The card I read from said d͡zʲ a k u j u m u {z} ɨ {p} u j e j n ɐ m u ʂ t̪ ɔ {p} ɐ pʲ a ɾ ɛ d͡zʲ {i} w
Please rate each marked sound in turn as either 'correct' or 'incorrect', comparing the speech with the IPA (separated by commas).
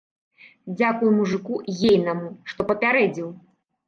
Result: incorrect, incorrect, correct, correct